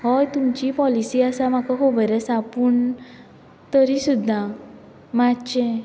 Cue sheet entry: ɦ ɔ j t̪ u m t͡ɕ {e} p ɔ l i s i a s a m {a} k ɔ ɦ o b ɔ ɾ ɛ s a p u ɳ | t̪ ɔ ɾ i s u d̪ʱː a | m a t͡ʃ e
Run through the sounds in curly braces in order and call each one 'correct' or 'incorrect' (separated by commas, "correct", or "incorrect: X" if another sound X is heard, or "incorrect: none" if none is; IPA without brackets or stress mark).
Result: incorrect: i, correct